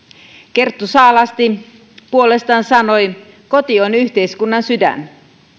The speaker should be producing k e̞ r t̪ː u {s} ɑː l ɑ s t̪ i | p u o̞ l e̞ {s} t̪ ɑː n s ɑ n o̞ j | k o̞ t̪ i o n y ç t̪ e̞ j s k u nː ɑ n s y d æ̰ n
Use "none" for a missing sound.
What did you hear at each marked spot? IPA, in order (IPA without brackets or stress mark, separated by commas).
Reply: s, s